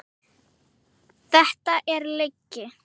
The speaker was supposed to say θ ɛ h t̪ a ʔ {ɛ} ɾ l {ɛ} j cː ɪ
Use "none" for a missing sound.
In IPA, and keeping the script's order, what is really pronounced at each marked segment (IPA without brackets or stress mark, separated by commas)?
ɛ, e